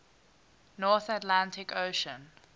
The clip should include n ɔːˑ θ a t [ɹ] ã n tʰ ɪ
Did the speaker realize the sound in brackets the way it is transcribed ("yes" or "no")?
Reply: no